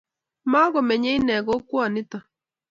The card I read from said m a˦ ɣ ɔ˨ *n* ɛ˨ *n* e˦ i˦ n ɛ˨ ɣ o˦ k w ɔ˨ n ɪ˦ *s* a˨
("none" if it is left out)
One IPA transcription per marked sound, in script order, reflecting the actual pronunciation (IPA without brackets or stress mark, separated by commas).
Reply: m, ɲ, t